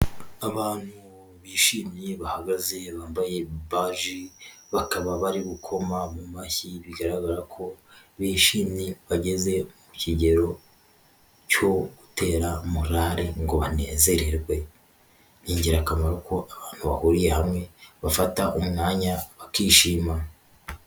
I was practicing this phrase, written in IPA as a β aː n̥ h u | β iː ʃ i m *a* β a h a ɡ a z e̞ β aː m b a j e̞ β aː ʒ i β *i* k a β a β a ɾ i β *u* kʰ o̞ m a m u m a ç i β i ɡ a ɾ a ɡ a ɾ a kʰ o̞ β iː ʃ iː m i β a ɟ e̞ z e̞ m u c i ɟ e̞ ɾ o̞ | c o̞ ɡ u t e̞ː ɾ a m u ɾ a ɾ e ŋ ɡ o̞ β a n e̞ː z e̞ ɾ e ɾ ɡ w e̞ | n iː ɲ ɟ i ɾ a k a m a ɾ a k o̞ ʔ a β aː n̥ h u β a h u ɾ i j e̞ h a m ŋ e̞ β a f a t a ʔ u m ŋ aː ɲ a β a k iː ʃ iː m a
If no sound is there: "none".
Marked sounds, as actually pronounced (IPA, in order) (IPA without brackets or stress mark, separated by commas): i, a, u